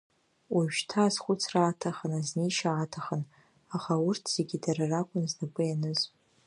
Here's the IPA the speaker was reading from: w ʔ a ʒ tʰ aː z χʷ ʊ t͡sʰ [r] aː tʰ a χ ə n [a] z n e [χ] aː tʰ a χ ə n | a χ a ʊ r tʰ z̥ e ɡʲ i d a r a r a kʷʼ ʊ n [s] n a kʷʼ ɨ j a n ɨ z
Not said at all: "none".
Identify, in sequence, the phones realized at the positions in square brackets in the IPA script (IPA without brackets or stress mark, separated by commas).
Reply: r, a, ʃ, z